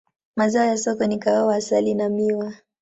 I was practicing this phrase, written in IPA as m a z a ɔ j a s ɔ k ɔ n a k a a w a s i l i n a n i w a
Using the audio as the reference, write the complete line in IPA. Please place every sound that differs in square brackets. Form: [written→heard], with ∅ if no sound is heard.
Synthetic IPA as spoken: m a z a ɔ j a s ɔ k ɔ n [a→i] k a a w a s [i→a] l i n a [n→m] i w a